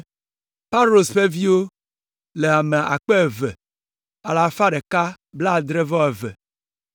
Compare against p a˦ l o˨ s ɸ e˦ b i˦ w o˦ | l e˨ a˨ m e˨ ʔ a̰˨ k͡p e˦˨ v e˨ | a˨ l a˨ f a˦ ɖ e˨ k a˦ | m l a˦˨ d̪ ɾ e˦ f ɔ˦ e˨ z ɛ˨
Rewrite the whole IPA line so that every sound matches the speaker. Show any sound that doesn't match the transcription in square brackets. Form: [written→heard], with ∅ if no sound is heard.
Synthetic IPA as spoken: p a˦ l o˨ s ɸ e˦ [b→v] i˦ w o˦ | l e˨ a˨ m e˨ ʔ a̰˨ k͡p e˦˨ v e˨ | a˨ l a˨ f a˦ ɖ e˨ k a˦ | [m→b] l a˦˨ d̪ ɾ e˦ [f→v] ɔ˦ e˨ [z→v] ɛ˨